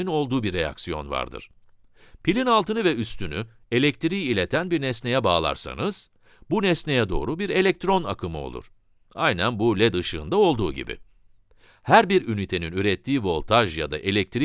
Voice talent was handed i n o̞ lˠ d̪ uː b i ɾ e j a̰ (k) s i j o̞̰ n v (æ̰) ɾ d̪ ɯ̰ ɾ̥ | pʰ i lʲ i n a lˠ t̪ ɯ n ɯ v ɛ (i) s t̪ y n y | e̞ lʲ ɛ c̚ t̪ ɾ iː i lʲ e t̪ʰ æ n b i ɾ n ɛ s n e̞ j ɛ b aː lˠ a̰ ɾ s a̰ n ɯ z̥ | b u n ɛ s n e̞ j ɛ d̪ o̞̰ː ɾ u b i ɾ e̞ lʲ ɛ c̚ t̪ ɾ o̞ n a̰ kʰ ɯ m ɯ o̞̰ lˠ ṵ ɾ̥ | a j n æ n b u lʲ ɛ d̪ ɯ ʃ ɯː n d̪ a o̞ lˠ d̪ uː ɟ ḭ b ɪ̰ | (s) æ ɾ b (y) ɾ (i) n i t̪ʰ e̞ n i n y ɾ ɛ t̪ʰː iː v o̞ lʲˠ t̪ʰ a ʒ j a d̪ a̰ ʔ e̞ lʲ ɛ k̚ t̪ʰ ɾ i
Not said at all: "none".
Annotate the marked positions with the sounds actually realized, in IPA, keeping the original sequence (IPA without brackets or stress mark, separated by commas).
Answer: k, a̰, y, h, i, y